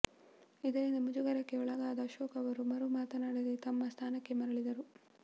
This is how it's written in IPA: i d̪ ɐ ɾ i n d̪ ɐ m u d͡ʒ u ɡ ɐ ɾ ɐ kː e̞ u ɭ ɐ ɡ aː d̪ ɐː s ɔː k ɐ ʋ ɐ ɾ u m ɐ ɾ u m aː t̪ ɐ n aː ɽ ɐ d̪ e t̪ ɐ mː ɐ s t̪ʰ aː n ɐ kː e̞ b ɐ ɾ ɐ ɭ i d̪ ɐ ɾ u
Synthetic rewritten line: i d̪ ɐ ɾ i n d̪ ɐ m u d͡ʒ u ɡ ɐ ɾ ɐ kː e̞ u ɭ ɐ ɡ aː d̪ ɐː ʃ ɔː k ɐ ʋ ɐ ɾ u m ɐ ɾ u m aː t̪ ɐ n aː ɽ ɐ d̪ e t̪ ɐ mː ɐ s t̪ʰ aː n ɐ kː e̞ m ɐ ɾ ɐ ɭ i d̪ ɐ ɾ u